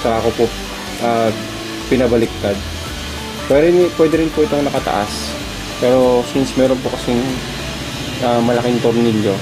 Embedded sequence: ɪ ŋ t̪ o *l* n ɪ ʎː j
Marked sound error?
yes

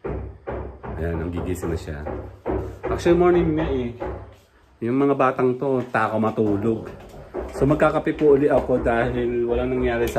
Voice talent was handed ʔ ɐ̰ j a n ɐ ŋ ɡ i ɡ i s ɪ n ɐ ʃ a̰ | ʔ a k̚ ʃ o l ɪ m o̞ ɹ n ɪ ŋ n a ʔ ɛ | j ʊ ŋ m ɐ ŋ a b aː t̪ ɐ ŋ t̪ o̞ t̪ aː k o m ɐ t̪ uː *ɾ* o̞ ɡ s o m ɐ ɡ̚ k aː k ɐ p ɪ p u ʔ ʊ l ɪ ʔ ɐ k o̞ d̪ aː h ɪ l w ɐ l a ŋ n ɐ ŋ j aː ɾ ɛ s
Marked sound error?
yes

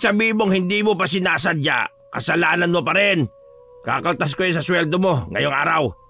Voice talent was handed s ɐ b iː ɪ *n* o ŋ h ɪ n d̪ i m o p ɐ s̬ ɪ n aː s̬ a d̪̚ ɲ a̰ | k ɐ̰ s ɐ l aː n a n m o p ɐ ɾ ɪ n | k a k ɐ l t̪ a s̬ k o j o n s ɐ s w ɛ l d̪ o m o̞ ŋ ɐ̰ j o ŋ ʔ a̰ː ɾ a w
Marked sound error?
yes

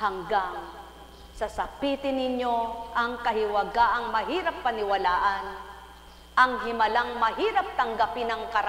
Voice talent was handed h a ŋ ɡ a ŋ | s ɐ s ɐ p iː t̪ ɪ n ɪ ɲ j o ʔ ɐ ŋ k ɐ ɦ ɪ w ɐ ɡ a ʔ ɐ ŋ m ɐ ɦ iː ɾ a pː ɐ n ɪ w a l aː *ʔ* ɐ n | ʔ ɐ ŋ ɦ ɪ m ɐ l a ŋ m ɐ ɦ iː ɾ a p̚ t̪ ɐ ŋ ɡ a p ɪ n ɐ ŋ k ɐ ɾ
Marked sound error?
no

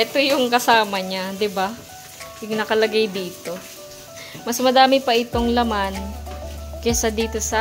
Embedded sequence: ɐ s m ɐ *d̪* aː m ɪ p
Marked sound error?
no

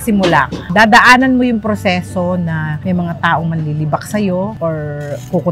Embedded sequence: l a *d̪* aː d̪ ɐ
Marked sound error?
no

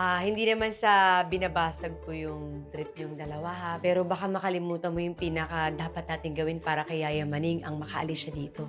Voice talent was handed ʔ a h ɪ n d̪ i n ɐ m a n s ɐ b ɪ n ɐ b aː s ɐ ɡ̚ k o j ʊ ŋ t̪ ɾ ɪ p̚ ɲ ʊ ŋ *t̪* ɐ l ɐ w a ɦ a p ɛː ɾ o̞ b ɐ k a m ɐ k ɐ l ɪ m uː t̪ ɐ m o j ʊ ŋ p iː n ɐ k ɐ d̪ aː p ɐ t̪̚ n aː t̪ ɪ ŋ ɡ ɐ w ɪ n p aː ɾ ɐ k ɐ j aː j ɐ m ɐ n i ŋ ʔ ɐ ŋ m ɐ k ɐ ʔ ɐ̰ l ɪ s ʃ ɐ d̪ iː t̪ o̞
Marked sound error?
yes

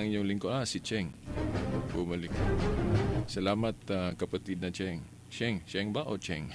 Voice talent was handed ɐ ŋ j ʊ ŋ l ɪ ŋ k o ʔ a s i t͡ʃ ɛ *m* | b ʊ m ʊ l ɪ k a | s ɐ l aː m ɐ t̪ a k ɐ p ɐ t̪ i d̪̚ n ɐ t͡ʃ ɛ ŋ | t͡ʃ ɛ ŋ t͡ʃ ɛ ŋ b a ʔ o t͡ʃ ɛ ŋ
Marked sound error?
yes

